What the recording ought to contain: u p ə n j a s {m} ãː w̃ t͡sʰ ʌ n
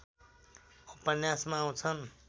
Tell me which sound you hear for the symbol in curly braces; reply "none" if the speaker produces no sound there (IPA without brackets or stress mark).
m